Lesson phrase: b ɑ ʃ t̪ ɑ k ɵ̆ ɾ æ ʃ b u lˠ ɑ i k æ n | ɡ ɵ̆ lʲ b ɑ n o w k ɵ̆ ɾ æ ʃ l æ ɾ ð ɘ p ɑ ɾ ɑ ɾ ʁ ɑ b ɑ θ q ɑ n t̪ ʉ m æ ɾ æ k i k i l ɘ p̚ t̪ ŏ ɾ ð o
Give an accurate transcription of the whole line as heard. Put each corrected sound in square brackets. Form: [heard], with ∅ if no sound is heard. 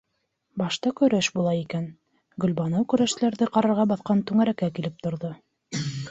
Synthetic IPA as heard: b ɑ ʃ t̪ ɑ k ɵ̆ ɾ æ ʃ b u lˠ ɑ i k æ n | ɡ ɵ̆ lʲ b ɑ n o w k ɵ̆ ɾ æ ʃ l æ ɾ ð ɘ [q] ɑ ɾ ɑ ɾ ʁ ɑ b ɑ θ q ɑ n t̪ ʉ [ŋ] æ ɾ æ k [æ] k i l ɘ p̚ t̪ ŏ ɾ ð o

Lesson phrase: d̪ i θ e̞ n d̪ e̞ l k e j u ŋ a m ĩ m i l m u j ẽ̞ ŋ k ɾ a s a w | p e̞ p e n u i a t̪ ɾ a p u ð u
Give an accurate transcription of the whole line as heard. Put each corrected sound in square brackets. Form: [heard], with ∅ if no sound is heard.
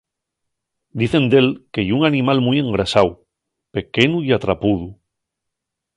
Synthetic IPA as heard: d̪ i θ e̞ n d̪ e̞ l k e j u ŋ a [n] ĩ m [a] l m u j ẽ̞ ŋ [ɡ] ɾ a s a w | p e̞ [k] e n u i a t̪ ɾ a p u ð u

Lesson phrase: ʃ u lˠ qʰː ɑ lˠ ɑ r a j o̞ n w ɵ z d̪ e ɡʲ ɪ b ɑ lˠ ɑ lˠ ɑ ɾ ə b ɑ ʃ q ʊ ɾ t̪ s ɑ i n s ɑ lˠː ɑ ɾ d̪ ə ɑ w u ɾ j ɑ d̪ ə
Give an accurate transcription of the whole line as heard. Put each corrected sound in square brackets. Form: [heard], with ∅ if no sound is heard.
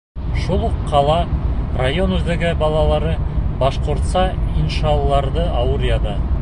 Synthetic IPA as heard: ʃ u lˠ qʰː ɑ lˠ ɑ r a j o̞ n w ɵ z d̪ e ɡʲ ɪ b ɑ lˠ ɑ lˠ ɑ ɾ ə b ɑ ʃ q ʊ ɾ t̪ s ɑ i n [ʃ] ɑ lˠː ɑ ɾ d̪ ə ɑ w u ɾ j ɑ d̪ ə

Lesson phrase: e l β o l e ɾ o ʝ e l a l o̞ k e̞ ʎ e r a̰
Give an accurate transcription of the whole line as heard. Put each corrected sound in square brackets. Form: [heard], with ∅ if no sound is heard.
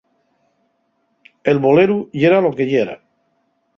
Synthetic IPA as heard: e l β o l e ɾ [u] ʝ e [ɾ] a l o̞ k e̞ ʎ e [ɾ] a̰

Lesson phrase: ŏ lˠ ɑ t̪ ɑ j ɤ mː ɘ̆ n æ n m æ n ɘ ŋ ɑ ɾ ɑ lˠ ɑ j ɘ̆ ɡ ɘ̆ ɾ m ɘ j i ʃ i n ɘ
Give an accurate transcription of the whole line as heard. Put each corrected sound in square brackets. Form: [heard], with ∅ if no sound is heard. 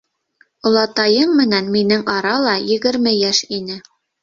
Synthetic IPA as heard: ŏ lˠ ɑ t̪ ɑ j ɤ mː ɘ̆ n æ n m [i] n ɘ ŋ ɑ ɾ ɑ lˠ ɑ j ɘ̆ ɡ ɘ̆ ɾ m ɘ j [æ] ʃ i n ɘ

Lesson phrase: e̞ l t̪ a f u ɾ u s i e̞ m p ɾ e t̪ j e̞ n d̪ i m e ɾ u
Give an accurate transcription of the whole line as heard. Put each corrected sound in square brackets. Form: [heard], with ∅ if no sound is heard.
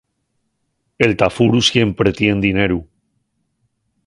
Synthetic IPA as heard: e̞ l t̪ a f u ɾ u s [j] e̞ m p ɾ e t̪ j e̞ n d̪ i [n] e ɾ u

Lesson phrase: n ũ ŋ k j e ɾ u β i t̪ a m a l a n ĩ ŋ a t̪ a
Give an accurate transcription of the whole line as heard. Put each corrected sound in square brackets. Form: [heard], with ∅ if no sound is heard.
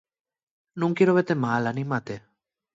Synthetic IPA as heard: n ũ ŋ k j e ɾ [o] β [e] t̪ [e] m a l a n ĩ [m] a t̪ [e]

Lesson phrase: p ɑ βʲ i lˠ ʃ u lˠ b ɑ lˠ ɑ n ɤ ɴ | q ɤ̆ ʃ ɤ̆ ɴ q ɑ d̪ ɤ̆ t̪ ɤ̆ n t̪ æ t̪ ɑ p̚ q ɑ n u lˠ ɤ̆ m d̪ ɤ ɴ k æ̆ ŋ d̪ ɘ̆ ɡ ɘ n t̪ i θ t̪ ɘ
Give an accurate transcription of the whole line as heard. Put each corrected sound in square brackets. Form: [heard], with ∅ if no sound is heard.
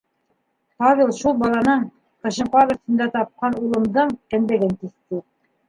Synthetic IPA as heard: p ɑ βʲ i lˠ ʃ u lˠ b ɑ lˠ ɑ n ɤ ɴ | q ɤ̆ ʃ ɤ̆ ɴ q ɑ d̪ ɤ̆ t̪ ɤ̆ n [d̪] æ t̪ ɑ p̚ q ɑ n u lˠ ɤ̆ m d̪ ɤ ɴ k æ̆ [n] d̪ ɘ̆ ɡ ɘ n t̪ i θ t̪ ɘ

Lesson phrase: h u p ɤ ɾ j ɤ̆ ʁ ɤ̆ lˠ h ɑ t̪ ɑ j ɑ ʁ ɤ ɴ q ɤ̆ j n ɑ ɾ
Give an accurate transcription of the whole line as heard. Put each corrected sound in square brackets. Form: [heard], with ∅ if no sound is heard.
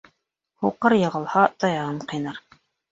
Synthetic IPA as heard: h u [q] ɤ ɾ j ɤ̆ ʁ ɤ̆ lˠ h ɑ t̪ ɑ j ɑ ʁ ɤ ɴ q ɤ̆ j n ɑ ɾ

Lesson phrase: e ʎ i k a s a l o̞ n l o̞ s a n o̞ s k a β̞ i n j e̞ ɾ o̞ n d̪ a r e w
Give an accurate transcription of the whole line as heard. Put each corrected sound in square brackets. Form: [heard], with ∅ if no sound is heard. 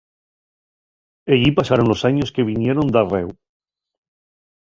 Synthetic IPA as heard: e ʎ i [p] a s a [ɾ] o̞ n l o̞ s a [ɲ] o̞ s k [e] β̞ i n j e̞ ɾ o̞ n d̪ a r e w

